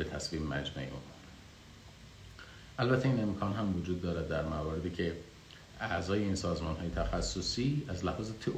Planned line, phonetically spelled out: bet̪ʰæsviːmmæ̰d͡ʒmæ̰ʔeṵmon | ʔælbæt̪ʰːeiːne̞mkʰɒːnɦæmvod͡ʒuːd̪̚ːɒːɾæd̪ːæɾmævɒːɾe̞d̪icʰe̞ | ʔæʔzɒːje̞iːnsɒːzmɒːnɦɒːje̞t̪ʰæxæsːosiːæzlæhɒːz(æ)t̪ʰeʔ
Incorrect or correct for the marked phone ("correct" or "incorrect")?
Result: incorrect